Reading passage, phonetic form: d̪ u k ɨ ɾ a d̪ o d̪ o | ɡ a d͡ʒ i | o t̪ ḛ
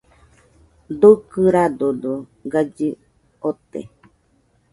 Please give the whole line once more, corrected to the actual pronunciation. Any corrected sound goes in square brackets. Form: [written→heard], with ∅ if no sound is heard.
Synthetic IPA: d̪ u k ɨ ɾ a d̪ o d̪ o | ɡ a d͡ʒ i | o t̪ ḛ

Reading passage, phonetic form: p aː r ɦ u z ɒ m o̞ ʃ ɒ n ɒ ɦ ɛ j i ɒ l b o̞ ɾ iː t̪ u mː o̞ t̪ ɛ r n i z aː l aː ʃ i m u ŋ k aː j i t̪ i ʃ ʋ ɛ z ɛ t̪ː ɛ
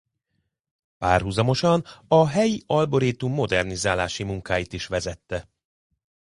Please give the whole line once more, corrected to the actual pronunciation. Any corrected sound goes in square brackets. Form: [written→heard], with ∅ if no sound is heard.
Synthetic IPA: p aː r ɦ u z ɒ m o̞ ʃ ɒ n ɒ ɦ ɛ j i ɒ l b o̞ ɾ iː t̪ u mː o̞ [t̪→d̪] ɛ r n i z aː l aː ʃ i m u ŋ k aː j i t̪ i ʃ ʋ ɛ z ɛ t̪ː ɛ

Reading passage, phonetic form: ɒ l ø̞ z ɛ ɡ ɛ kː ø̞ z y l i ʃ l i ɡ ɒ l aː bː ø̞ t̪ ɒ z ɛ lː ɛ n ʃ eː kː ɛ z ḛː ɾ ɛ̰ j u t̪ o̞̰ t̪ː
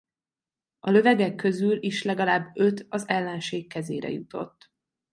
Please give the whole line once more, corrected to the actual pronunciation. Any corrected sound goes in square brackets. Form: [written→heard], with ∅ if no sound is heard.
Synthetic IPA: ɒ l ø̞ [z→v] ɛ ɡ ɛ kː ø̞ z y l i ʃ l [i→ɛ] ɡ ɒ l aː bː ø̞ t̪ ɒ z ɛ lː ɛ n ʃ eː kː ɛ z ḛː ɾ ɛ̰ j u t̪ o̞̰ t̪ː

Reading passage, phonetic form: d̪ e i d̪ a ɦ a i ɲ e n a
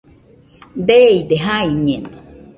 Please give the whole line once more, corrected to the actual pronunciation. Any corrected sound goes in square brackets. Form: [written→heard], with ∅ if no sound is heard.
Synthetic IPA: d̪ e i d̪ [a→e] ɦ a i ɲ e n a

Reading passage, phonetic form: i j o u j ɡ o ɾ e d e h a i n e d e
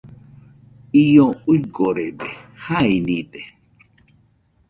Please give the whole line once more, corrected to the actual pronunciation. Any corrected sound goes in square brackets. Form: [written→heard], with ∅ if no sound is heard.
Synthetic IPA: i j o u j ɡ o ɾ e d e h a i n [e→i] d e

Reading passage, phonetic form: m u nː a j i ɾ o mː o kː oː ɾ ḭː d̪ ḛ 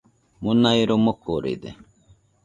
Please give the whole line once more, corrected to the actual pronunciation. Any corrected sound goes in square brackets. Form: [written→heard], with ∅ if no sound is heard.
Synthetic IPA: m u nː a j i ɾ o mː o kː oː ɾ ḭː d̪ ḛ

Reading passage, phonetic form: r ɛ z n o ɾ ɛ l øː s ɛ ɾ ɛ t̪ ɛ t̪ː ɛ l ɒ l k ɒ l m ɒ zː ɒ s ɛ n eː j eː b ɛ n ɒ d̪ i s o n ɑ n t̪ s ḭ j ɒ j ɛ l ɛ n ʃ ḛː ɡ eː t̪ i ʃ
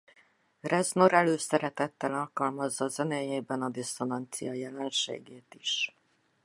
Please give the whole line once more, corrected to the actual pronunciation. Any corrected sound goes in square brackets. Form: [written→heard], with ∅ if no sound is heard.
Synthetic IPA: r ɛ z n o ɾ ɛ l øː s ɛ ɾ ɛ t̪ ɛ t̪ː ɛ l ɒ l k ɒ l m ɒ zː ɒ [s→z] ɛ n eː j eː b ɛ n ɒ d̪ i s o n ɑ n t̪ s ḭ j ɒ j ɛ l ɛ n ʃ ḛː ɡ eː t̪ i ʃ

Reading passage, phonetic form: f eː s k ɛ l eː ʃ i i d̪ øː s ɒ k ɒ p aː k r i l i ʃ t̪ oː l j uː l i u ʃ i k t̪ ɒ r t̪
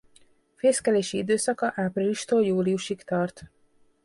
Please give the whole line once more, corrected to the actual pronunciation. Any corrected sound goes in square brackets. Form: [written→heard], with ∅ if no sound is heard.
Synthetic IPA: f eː s k ɛ l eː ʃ i i d̪ øː s ɒ k ɒ [p→ʔ] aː [k→p] r i l i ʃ t̪ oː l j uː l i u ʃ i k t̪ ɒ r t̪

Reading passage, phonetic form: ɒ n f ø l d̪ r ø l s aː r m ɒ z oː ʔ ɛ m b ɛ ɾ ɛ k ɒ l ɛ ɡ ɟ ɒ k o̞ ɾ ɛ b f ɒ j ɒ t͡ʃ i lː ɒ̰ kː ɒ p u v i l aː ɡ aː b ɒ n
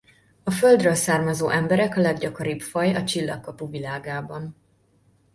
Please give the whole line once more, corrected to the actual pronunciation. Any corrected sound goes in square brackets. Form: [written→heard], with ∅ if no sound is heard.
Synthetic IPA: ɒ [n→∅] f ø l d̪ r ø l s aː r m ɒ z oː ʔ ɛ m b ɛ ɾ ɛ k ɒ l ɛ ɡ ɟ ɒ k o̞ ɾ [ɛ→i] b f ɒ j ɒ t͡ʃ i lː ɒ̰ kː ɒ p u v i l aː ɡ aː b ɒ n

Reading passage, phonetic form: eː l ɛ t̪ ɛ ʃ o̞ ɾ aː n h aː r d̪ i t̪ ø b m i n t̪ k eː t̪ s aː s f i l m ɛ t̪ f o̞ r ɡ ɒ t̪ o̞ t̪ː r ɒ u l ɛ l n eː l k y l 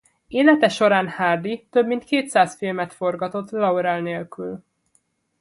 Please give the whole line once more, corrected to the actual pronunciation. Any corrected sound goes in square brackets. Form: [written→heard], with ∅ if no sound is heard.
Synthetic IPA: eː l ɛ t̪ ɛ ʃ o̞ ɾ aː n h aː r d̪ i t̪ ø b m i n t̪ k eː t̪ s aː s f i l m ɛ t̪ f o̞ r ɡ ɒ t̪ o̞ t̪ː [r→l] ɒ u [l→ɾ] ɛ l n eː l k y l

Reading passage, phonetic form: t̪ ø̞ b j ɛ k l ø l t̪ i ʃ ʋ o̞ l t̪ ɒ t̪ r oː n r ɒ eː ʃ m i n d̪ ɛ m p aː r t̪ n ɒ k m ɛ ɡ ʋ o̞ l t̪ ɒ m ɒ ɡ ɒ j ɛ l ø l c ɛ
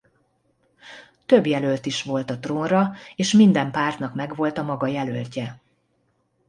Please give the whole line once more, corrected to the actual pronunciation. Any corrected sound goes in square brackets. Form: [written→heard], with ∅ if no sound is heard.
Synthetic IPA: t̪ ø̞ b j ɛ [k→∅] l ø l t̪ i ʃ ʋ o̞ l t̪ ɒ t̪ r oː n r ɒ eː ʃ m i n d̪ ɛ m p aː r t̪ n ɒ k m ɛ ɡ ʋ o̞ l t̪ ɒ m ɒ ɡ ɒ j ɛ l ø l c ɛ

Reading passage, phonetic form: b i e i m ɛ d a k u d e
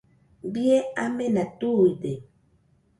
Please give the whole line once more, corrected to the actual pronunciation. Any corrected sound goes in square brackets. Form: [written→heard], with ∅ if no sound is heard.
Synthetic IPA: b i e [i→a] m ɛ [d→n] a [k→t] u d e

